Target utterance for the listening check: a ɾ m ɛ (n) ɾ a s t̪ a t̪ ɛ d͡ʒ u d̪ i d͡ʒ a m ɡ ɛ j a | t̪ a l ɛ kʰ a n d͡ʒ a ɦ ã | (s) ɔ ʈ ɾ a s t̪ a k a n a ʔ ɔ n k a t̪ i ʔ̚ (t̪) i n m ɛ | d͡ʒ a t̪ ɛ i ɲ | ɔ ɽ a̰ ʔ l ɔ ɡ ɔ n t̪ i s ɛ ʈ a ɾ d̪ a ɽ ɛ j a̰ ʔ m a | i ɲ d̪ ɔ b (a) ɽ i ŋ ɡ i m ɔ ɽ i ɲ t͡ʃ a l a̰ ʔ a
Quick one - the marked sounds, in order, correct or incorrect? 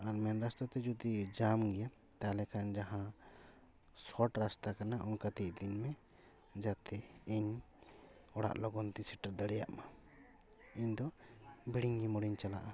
correct, correct, incorrect, incorrect

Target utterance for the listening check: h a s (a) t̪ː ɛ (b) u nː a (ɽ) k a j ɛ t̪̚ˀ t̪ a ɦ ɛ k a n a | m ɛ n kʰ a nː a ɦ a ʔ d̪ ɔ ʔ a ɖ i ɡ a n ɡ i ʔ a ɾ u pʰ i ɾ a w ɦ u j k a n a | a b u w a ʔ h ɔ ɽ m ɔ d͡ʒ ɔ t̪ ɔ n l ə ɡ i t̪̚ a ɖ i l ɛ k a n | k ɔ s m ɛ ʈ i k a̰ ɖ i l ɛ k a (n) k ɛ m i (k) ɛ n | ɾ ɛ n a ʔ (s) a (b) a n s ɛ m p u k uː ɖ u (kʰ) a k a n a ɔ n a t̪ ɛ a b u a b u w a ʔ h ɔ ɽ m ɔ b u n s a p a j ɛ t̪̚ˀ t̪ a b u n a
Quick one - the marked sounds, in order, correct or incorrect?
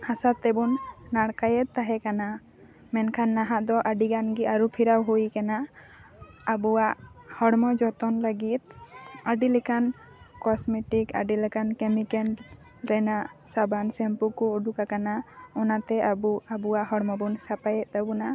correct, correct, correct, correct, correct, correct, correct, incorrect

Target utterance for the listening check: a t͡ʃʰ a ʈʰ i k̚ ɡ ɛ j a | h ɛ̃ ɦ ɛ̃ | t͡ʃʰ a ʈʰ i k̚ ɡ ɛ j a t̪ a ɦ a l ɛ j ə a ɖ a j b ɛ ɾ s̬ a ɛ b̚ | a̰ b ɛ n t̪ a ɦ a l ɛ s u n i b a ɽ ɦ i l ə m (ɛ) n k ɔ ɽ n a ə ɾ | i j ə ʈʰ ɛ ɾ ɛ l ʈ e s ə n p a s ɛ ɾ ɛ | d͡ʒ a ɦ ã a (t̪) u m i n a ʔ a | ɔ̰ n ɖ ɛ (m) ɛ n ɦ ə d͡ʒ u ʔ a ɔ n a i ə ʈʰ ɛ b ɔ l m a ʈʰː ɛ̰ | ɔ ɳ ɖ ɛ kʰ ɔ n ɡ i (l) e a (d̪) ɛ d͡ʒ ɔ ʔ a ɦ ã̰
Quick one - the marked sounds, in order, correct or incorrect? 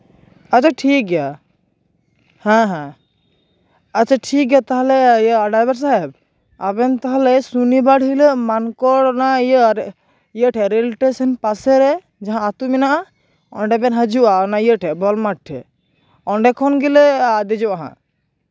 incorrect, correct, incorrect, correct, correct

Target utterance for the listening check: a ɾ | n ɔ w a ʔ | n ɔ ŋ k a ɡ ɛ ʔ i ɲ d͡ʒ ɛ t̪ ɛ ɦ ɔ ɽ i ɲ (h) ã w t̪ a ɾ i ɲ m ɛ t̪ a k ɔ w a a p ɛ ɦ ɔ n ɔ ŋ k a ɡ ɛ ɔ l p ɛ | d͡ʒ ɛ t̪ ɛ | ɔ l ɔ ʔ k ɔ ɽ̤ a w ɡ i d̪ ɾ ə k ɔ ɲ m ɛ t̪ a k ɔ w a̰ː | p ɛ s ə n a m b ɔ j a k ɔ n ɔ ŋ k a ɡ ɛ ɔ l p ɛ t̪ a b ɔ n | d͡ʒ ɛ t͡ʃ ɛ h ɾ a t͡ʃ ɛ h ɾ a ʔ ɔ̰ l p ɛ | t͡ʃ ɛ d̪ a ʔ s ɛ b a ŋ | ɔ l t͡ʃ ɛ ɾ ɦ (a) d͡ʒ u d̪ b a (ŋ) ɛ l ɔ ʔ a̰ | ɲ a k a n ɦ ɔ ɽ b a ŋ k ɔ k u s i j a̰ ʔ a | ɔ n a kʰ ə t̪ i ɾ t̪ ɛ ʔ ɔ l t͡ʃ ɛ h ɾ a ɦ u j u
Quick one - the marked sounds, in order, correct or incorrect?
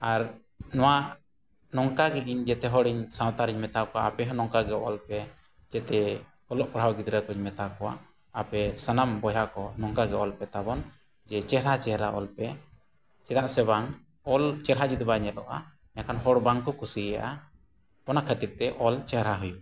incorrect, correct, incorrect

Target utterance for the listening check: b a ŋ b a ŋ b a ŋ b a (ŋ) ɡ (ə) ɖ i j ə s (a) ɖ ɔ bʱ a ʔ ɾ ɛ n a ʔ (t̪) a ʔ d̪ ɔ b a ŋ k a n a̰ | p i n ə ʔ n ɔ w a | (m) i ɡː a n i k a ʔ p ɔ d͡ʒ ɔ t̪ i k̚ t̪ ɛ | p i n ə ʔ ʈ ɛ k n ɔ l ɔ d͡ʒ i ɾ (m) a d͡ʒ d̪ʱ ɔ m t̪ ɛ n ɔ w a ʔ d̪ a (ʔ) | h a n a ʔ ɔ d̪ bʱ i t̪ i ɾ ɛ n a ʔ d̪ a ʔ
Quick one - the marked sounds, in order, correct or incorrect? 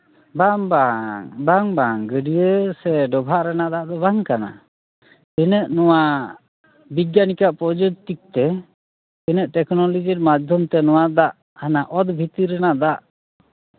correct, correct, incorrect, incorrect, incorrect, correct, correct

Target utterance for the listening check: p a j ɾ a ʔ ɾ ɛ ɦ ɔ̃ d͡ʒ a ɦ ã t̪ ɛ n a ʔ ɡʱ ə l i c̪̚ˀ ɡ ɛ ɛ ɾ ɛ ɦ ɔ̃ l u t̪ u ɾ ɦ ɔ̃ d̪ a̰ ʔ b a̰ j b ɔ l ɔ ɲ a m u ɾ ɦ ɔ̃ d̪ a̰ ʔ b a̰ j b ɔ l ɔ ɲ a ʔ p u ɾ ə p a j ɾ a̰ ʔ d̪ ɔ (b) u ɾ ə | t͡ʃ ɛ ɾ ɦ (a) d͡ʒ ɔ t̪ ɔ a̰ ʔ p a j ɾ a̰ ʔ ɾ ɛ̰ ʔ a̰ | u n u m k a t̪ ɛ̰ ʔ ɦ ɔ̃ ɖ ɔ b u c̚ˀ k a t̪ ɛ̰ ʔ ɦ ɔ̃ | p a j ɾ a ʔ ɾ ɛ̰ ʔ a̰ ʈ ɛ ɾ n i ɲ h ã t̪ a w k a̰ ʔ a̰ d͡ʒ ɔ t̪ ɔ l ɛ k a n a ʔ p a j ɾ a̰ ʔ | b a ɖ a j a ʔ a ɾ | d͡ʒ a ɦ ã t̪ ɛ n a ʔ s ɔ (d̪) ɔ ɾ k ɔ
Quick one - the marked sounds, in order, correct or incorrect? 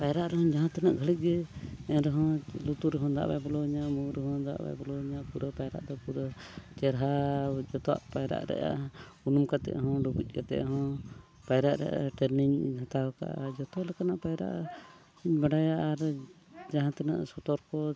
incorrect, correct, incorrect

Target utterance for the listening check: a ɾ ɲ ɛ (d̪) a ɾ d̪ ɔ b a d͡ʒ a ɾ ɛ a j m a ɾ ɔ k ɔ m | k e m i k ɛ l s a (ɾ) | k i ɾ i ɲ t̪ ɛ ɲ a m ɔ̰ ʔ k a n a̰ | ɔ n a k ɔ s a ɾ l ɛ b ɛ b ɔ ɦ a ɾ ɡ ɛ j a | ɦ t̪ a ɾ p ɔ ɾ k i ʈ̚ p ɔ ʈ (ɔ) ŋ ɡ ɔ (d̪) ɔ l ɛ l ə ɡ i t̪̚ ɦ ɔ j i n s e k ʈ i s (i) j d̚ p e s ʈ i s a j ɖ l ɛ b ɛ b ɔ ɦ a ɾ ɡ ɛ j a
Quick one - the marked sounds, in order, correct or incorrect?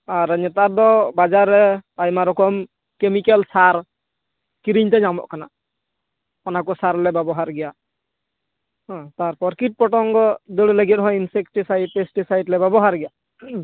incorrect, correct, correct, correct, incorrect

